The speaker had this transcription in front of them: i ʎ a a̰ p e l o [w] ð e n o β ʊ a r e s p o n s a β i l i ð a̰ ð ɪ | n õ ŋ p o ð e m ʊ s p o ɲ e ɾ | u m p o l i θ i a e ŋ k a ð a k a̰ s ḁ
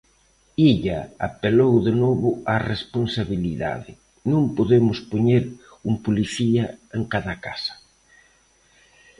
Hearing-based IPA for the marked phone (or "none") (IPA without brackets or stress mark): w